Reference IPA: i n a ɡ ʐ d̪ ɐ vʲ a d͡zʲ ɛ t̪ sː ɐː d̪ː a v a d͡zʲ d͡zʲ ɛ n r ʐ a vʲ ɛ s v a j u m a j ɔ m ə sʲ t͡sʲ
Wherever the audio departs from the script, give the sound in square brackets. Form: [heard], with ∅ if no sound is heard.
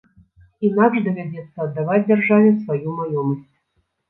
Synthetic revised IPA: i n a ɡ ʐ d̪ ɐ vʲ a d͡zʲ ɛ t̪ sː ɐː d̪ː a v a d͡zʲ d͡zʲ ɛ [∅] r ʐ a vʲ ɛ s v a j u m a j ɔ m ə sʲ t͡sʲ